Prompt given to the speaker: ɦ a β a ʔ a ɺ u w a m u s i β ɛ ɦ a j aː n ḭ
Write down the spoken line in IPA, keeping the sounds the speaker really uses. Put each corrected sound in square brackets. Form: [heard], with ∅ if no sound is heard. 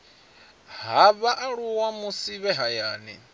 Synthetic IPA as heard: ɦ a β a ʔ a ɺ u w a m u s i β ɛ ɦ a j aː n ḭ

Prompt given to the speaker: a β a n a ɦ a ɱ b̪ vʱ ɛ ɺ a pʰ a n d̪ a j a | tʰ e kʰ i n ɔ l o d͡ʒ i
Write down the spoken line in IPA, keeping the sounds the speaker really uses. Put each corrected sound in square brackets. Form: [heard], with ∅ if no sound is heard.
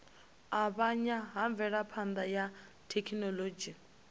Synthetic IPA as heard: a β a [ɲ] a ɦ a ɱ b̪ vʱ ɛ ɺ a pʰ a n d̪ a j a | tʰ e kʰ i n ɔ l o d͡ʒ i

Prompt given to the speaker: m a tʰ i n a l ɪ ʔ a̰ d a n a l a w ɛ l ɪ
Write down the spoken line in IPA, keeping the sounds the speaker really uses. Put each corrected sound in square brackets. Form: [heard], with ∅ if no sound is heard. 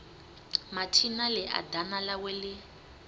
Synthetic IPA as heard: m a tʰ i n a l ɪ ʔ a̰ d a n a l a w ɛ l ɪ

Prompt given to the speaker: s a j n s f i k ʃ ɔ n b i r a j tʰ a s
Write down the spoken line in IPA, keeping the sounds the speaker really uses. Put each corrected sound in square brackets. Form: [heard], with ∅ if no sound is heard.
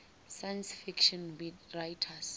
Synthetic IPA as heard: s a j n s f i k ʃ ɔ n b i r a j tʰ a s

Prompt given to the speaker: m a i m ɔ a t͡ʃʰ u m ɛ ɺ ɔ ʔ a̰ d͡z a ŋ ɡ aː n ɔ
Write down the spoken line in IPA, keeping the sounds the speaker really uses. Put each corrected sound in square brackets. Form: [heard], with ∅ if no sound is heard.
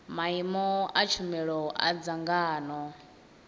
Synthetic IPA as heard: m a i m ɔ a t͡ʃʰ u m ɛ ɺ ɔ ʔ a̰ d͡z a ŋ ɡ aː n ɔ

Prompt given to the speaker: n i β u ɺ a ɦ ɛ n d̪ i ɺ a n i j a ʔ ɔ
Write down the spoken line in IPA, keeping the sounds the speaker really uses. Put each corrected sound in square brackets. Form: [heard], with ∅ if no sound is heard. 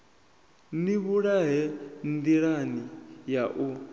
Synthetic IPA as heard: n i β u ɺ a ɦ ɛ n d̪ i ɺ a n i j a ʔ [u]

